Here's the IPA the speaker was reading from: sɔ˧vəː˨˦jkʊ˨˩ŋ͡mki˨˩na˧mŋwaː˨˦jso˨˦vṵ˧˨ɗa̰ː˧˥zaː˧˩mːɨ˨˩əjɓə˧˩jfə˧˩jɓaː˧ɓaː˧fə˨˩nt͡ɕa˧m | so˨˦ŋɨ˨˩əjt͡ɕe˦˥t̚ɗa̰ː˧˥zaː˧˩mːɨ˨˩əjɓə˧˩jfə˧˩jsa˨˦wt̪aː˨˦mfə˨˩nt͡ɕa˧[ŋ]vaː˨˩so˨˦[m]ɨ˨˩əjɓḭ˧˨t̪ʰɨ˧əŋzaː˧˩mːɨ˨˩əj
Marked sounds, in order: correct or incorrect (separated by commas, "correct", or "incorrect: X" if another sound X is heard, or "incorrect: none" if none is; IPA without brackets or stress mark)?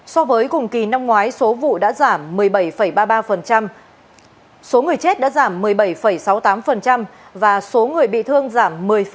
incorrect: m, incorrect: ŋ